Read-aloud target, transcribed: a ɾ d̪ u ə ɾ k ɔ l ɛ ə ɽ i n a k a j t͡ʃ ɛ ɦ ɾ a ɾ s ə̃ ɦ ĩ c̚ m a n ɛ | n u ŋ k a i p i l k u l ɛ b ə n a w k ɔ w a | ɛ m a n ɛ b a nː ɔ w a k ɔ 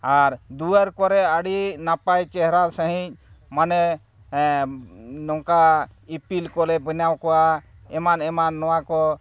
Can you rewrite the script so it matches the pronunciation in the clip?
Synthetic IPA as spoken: a ɾ d̪ u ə ɾ k ɔ ɾ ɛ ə ɽ i n a p a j t͡ʃ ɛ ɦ ɾ a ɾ s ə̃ ɦ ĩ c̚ m a n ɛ | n ɔ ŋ k a i p i l k ɔ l ɛ b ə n a w k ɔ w a | ɛ m a n ɛ m a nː ɔ w a k ɔ